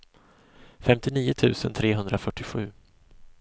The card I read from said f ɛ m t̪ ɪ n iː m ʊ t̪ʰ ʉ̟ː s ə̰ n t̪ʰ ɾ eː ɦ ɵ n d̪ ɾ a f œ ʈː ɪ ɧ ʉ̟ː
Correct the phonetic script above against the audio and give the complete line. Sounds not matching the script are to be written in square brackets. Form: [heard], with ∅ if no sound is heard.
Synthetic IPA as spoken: f ɛ m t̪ ɪ n iː [∅] ʊ t̪ʰ ʉ̟ː s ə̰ n t̪ʰ ɾ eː ɦ ɵ n d̪ ɾ a f œ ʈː ɪ ɧ ʉ̟ː